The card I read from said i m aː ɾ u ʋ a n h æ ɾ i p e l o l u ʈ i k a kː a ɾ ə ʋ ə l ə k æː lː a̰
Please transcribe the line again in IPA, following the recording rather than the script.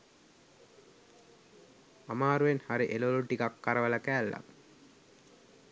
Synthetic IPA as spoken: a m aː ɾ u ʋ e n h a ɾ i ʔ e l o l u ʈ i k a kː a ɾ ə ʋ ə l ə k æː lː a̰